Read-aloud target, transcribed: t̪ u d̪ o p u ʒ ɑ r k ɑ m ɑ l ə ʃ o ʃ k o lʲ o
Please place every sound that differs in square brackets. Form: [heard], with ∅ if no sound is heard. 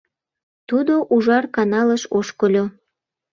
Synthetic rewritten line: t̪ u d̪ o [ʔ] u ʒ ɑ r k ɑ [n] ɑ l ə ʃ o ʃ k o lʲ o